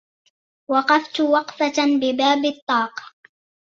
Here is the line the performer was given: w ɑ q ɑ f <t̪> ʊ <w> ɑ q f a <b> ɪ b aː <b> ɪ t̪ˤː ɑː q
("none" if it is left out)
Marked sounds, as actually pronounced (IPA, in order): t̪, w, b, b

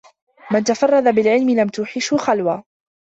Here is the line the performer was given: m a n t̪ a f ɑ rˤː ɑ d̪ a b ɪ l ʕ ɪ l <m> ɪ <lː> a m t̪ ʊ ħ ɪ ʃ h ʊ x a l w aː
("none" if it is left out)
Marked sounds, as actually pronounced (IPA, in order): m, l

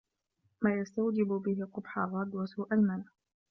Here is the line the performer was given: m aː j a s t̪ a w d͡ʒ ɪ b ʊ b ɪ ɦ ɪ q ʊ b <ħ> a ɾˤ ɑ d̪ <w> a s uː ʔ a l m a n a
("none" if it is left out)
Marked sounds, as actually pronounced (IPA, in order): ħ, w

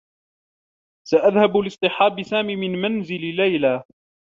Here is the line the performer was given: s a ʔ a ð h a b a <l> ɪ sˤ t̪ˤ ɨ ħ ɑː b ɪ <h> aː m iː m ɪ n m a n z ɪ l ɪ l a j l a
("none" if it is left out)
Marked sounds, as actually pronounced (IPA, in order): l, s

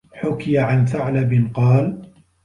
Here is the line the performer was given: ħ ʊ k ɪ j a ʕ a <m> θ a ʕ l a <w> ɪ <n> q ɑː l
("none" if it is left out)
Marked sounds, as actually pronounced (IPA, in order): n, b, n

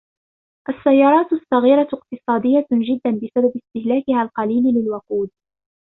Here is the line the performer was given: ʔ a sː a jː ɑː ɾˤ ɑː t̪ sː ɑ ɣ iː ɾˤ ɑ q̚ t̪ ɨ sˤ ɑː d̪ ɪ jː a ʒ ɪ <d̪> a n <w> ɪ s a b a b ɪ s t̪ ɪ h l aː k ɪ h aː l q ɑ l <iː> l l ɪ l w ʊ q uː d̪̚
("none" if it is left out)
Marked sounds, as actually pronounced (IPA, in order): d̪ː, b, iː

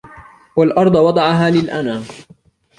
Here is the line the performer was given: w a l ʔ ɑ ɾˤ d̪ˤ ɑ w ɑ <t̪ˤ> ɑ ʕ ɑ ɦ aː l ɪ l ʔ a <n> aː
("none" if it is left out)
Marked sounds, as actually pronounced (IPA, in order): d̪ˤ, n

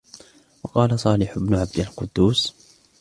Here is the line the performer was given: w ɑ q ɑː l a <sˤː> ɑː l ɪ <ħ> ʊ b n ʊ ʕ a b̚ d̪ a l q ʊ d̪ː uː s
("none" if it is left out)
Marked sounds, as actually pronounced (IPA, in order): sˤ, ħ

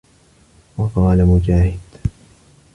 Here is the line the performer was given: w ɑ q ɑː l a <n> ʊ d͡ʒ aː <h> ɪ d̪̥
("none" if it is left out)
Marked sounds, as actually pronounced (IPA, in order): m, h

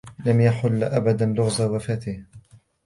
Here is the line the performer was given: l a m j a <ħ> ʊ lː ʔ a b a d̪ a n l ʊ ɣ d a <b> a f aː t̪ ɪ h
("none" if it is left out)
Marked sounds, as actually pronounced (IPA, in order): ħ, w

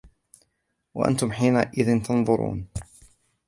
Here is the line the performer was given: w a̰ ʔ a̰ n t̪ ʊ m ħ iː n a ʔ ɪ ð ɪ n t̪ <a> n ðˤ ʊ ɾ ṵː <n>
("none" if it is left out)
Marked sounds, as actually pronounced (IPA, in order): ɑ, n

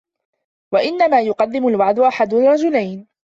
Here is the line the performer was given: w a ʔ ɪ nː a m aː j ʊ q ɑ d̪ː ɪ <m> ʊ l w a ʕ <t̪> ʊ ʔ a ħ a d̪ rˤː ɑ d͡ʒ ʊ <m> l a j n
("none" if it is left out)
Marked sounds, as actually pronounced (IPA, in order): m, d̪, none

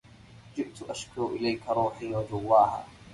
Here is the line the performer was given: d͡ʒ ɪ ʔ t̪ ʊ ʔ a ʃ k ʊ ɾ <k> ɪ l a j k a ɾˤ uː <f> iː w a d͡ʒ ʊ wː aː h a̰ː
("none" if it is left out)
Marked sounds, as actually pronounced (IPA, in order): ʔ, ħ

